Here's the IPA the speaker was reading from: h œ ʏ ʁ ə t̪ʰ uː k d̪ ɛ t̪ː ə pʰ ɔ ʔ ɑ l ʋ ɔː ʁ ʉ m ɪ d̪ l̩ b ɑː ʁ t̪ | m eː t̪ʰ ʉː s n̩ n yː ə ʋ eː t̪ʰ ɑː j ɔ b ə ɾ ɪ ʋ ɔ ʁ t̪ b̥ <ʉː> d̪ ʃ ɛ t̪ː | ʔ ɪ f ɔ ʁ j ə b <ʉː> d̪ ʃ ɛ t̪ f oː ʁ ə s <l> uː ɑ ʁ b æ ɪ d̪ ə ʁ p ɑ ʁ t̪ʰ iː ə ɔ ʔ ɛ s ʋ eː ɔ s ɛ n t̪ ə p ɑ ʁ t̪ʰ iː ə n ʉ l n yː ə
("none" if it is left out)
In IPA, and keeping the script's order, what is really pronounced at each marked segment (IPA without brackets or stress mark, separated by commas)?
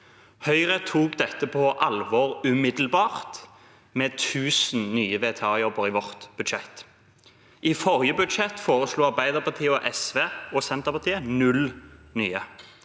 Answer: ʉ, ʉ, l